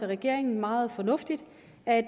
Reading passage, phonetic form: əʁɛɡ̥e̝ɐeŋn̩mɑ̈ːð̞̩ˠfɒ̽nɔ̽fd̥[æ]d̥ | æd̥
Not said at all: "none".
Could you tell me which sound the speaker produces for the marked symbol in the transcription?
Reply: i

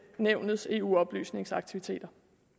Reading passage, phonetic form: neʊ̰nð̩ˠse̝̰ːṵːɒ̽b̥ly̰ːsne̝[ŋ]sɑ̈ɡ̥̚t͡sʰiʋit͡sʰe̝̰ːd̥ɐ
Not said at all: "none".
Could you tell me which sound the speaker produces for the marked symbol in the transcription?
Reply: ŋ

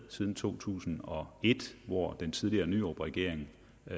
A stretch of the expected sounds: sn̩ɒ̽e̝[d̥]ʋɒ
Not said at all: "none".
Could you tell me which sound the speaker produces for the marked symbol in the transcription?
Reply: d̥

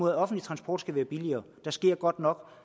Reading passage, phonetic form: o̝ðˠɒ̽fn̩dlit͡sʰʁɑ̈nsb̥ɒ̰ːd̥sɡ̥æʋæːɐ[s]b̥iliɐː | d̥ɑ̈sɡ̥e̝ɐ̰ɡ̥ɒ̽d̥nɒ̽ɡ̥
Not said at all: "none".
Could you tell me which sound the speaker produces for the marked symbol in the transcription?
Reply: none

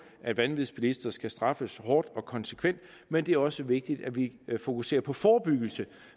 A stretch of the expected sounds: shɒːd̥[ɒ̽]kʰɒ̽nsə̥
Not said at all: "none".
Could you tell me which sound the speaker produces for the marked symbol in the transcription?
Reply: ɒ̽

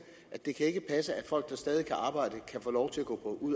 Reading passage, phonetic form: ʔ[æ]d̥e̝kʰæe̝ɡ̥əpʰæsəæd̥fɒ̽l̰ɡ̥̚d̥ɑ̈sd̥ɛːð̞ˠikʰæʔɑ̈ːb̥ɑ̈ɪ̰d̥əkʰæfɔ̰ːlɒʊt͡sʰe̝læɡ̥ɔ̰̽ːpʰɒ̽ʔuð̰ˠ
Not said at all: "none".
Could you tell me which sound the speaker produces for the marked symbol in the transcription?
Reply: æ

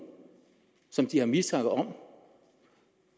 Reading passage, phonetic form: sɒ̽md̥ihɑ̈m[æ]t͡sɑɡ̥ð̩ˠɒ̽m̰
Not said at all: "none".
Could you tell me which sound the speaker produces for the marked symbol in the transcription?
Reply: i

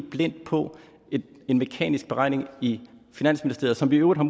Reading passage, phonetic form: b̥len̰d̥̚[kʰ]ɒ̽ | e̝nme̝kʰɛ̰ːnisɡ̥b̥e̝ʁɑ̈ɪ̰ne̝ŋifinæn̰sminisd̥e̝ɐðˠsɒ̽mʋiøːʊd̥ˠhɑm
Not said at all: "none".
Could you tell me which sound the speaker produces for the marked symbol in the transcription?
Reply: pʰ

